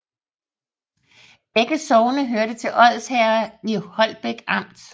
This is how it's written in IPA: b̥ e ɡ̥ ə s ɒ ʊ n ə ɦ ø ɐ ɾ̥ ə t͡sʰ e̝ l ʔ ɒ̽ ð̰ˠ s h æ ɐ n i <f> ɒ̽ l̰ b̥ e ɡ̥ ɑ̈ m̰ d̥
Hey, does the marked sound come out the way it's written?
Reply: no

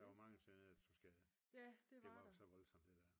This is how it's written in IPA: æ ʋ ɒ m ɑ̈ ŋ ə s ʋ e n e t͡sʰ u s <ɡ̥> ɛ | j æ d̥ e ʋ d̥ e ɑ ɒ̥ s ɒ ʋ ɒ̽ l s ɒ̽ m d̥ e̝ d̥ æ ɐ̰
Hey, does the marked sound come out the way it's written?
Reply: yes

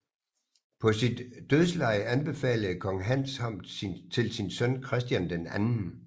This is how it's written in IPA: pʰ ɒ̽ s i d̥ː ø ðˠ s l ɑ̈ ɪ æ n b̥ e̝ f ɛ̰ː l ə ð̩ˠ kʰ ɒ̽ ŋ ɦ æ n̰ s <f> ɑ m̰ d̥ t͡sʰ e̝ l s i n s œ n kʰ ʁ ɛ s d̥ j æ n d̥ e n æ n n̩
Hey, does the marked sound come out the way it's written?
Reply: no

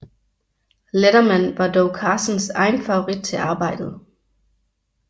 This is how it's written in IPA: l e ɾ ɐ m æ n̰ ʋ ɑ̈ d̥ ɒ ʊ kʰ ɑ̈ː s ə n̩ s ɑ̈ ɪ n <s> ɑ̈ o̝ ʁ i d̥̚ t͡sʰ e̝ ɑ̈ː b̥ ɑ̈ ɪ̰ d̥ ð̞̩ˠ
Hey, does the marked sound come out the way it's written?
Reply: no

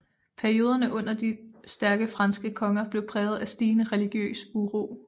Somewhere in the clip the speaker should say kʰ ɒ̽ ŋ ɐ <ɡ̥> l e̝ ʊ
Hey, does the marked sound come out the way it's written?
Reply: no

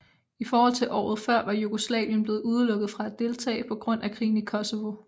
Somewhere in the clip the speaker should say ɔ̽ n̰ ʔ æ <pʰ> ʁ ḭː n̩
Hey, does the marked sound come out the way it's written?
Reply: no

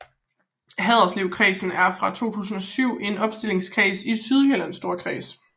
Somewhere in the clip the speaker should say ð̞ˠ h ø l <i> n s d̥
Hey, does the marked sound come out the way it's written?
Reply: no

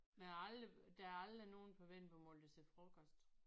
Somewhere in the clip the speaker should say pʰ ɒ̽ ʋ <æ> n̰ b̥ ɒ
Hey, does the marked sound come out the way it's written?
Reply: no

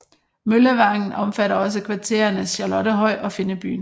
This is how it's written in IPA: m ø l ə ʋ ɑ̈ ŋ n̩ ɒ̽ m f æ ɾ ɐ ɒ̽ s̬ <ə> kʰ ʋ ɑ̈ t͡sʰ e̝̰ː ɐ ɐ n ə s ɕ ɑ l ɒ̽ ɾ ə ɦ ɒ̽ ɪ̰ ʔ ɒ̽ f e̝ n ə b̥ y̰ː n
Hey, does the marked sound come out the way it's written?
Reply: yes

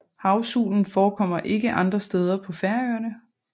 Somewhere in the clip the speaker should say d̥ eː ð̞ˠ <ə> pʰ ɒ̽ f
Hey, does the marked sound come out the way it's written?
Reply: no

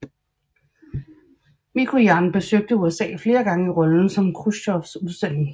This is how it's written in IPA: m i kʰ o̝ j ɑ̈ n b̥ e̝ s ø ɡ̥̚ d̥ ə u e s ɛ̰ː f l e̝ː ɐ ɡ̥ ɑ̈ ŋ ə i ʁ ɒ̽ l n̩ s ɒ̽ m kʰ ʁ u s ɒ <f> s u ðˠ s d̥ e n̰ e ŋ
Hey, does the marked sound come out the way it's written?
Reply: yes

